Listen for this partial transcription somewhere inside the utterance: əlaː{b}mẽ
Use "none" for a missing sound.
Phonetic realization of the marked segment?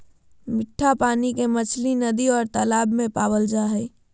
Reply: b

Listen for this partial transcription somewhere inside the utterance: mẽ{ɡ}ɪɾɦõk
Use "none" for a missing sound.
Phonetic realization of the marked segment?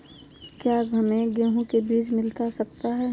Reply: ɡ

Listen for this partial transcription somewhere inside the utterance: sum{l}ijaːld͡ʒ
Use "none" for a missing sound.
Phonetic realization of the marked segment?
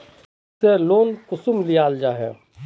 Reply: l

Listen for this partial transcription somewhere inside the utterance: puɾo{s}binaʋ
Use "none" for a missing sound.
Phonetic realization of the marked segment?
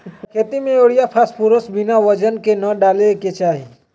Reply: s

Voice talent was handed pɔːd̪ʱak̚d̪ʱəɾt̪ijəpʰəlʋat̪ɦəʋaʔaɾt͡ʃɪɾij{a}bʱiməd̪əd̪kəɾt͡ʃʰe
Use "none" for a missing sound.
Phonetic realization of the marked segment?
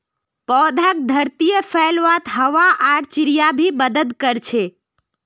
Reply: a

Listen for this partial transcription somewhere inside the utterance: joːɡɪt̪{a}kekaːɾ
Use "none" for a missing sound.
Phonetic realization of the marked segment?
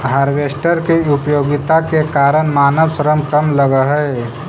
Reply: a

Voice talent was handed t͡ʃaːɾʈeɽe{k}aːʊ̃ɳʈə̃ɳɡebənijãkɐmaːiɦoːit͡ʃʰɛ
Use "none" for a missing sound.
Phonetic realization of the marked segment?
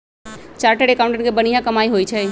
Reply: k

